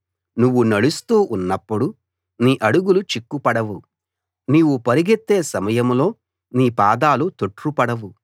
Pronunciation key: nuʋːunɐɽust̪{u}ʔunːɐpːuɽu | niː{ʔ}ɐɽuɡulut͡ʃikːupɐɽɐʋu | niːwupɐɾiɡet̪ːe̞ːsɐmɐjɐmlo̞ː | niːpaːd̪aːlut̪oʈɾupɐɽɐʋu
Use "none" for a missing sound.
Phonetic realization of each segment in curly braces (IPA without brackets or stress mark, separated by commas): uː, ʔ